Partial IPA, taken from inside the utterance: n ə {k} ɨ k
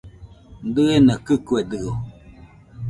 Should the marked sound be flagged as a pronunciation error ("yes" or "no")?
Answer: no